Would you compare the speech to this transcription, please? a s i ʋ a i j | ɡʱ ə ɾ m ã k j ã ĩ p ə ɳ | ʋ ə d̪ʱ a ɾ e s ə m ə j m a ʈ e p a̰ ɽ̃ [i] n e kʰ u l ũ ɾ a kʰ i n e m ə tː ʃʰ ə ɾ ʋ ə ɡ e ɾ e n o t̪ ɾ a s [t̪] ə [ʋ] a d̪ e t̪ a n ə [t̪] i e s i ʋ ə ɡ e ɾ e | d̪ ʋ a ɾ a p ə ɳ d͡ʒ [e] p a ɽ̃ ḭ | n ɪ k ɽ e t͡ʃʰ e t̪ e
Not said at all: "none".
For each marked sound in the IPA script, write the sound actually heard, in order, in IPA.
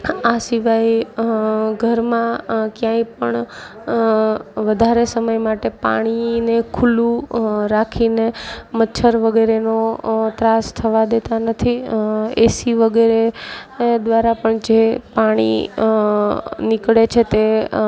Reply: i, t̪ʰ, ʋ, t̪ʰ, e

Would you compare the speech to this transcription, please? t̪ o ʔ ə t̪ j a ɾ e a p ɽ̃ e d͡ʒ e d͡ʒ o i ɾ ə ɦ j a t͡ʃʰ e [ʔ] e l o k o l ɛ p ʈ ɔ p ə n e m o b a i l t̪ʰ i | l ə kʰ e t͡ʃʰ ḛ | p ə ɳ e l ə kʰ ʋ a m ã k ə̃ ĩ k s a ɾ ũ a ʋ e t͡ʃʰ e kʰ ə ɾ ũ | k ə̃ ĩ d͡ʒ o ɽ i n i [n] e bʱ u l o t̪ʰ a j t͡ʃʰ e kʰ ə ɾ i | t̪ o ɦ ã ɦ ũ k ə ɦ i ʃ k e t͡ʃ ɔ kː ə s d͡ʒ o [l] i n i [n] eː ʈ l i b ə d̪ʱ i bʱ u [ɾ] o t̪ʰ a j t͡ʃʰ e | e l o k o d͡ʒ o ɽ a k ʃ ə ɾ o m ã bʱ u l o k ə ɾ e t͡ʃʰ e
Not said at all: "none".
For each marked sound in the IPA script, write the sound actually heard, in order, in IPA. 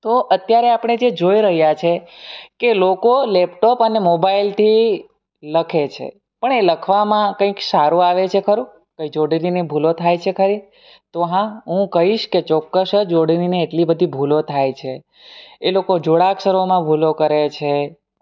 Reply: k, n, ɽ, n, l

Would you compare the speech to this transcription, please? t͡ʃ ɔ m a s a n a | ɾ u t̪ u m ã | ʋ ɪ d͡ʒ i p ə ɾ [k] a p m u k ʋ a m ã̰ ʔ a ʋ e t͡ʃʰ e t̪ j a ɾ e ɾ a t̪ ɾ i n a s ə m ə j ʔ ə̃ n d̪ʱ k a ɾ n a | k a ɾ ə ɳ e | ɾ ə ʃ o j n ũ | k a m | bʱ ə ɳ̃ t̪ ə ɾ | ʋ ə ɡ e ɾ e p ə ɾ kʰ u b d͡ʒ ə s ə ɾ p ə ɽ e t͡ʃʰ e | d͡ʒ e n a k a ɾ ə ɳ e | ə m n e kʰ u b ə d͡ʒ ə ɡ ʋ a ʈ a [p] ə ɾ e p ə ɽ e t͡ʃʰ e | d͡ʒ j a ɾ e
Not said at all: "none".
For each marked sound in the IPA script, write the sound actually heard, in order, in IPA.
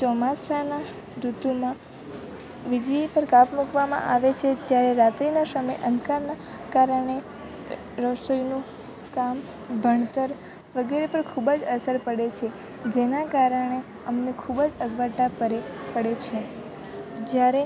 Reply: k, p

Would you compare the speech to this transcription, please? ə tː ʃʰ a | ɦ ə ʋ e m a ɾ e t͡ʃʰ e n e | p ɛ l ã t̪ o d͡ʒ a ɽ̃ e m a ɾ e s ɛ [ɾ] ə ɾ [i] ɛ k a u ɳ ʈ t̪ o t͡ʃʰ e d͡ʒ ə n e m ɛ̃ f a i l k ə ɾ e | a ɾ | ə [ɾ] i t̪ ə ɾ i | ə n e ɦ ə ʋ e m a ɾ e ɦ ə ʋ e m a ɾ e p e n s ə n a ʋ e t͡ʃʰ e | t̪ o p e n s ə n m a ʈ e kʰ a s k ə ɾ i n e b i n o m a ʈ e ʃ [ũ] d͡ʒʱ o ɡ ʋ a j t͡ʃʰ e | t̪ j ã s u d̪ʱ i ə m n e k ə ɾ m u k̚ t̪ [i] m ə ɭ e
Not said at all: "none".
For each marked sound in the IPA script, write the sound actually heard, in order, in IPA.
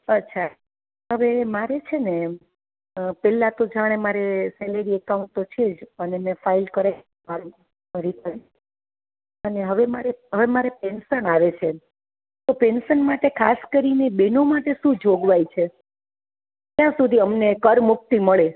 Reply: l, i, ɾ, ũ, i

